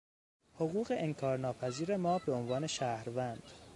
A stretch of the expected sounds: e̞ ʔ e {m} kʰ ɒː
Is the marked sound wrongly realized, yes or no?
yes